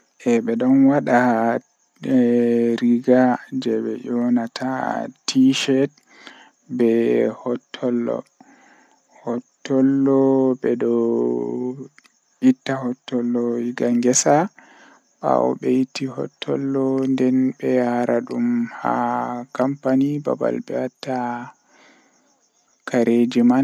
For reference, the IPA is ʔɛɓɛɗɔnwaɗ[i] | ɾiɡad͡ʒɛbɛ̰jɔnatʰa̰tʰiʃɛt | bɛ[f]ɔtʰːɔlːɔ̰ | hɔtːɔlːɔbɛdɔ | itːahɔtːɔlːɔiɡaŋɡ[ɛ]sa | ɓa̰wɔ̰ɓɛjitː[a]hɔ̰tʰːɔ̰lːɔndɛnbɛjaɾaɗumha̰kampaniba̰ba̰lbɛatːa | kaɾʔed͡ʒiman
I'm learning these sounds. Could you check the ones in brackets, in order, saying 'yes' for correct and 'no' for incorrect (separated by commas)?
no, no, yes, no